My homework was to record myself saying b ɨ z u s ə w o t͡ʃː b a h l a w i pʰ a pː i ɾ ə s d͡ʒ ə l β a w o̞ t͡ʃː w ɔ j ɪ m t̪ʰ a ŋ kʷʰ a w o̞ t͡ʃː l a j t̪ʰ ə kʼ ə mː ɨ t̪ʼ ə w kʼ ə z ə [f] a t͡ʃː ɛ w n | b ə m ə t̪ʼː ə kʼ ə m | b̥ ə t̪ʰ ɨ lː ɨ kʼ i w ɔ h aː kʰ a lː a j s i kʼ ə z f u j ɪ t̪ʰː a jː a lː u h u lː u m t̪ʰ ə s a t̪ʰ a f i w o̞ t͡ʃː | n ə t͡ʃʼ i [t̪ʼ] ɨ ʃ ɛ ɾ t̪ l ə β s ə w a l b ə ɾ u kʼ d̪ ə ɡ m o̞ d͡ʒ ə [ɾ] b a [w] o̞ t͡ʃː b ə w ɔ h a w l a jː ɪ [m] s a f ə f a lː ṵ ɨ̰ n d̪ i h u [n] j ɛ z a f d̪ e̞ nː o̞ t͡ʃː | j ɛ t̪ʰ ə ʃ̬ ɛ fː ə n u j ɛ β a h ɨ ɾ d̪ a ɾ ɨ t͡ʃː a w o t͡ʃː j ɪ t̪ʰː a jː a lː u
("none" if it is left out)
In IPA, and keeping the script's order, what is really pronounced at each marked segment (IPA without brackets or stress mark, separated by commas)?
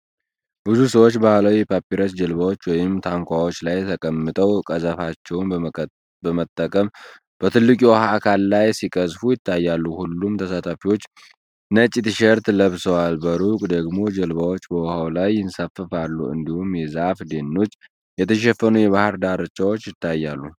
f, t̪, l, w, n, m